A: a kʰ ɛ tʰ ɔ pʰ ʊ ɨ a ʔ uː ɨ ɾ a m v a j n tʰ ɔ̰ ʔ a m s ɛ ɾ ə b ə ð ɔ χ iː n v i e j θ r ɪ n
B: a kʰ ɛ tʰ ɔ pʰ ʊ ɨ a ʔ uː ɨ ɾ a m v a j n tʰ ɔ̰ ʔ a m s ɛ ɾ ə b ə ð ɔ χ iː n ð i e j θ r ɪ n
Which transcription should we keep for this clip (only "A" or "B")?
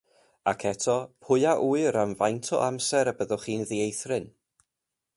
B